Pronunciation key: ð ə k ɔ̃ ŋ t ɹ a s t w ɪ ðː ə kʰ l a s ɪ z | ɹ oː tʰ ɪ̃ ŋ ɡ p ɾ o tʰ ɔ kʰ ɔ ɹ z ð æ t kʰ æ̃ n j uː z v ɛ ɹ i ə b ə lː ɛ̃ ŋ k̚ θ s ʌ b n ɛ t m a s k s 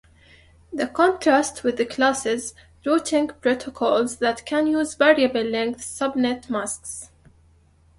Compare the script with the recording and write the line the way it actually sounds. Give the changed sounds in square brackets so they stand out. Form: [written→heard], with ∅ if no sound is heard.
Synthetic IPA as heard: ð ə k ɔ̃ [ŋ→n] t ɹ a s t w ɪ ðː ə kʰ l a s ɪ z | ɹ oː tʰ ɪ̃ ŋ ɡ p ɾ o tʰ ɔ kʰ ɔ [ɹ→l] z ð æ t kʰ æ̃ n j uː z v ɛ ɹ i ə b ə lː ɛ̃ ŋ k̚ θ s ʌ b n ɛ t m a s k s